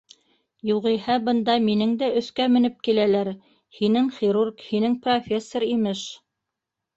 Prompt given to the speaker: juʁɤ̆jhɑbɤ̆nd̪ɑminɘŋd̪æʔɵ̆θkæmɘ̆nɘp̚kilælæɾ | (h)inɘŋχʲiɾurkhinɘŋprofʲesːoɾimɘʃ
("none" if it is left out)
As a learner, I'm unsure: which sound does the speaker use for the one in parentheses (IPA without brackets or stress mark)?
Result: h